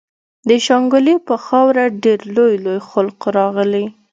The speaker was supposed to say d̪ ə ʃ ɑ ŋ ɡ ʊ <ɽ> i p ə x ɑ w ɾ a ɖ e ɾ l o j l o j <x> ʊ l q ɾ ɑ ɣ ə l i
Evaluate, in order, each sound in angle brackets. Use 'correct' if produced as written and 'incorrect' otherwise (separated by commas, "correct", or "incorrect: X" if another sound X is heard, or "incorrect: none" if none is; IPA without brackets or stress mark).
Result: incorrect: l, correct